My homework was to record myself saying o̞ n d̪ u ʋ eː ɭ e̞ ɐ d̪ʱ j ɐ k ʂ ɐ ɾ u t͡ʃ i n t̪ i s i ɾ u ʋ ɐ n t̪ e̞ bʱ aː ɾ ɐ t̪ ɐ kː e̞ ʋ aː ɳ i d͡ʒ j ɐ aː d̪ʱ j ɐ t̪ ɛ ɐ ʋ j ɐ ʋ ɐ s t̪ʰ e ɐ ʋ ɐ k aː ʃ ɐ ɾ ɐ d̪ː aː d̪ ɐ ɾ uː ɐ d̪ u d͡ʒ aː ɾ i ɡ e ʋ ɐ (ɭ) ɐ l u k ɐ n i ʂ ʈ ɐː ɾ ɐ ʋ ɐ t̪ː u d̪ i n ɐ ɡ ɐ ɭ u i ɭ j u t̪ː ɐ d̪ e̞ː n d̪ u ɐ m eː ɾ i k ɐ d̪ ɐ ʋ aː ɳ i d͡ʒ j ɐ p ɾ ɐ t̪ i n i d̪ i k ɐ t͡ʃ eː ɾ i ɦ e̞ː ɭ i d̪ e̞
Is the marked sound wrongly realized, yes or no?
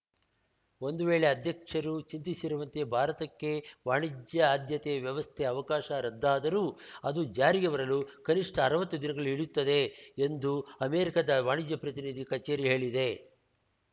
yes